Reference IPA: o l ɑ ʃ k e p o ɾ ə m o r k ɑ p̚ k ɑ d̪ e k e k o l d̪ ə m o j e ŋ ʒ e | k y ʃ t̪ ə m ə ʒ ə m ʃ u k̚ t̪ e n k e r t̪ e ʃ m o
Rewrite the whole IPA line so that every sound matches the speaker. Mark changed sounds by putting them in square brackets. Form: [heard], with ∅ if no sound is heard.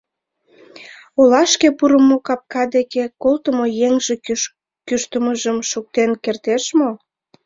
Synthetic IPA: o l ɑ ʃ k e p [u] ɾ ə m o [∅] k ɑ p̚ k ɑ d̪ e k e k o l [t̪] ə m o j e ŋ ʒ e | k y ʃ t̪ ə m ə ʒ ə m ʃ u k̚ t̪ e n k e r t̪ e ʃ m o